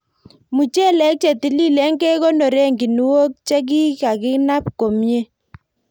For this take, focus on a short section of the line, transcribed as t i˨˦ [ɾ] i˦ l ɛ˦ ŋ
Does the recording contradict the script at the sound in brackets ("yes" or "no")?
yes